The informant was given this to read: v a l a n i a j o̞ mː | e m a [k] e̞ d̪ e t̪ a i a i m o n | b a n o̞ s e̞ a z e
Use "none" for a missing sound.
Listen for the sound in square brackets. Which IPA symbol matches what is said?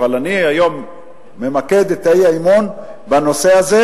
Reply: k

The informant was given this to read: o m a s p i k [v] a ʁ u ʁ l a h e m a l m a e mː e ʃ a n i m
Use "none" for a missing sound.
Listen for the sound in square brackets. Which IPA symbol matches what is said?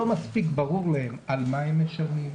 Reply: b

